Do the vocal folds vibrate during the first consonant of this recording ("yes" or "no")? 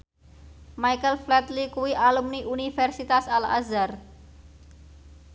yes